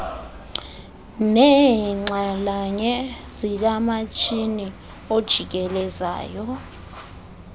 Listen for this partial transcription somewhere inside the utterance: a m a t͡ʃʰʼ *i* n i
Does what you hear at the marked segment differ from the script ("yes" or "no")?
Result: no